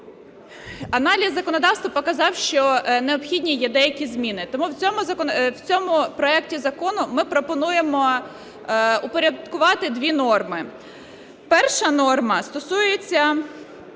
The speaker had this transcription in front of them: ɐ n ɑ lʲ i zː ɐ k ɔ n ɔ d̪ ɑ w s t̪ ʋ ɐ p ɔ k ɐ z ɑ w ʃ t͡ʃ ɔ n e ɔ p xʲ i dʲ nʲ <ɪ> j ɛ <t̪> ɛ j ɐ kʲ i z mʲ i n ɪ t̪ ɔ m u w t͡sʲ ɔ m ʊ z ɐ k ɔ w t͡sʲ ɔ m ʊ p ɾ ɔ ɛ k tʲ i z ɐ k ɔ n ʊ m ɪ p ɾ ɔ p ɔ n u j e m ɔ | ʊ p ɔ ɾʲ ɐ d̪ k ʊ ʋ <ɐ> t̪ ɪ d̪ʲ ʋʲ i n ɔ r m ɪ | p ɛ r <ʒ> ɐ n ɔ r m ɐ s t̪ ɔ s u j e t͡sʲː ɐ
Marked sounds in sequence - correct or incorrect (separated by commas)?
incorrect, incorrect, incorrect, incorrect